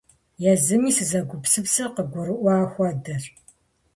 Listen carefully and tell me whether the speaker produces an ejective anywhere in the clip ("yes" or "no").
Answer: no